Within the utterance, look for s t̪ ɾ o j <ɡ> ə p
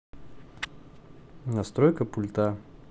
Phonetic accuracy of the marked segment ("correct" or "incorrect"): incorrect